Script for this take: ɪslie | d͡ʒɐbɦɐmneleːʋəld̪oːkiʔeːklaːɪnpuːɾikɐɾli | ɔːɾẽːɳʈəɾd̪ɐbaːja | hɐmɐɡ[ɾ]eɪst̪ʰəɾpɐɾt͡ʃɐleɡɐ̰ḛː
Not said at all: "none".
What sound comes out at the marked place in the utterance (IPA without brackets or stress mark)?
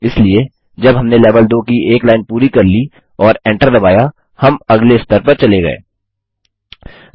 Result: l